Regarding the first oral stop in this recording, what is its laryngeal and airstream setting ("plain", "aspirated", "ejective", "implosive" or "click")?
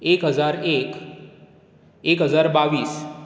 plain